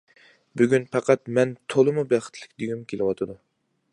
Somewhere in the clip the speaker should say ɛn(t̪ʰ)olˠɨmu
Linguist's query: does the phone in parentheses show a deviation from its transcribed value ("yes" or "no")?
no